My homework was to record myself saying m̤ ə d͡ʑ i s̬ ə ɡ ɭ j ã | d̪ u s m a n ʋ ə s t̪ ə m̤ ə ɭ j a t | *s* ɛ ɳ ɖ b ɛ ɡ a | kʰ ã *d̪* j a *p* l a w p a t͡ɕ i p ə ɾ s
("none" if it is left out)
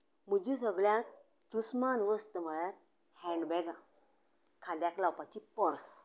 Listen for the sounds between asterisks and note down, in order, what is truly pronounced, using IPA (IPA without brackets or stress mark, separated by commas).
h, d̪, k